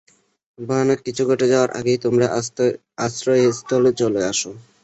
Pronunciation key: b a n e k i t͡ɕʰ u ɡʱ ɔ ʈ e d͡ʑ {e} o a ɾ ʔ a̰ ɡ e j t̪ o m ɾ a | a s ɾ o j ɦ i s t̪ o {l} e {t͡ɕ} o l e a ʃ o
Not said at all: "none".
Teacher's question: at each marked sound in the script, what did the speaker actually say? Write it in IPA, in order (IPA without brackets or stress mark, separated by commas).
a, l, t͡ɕ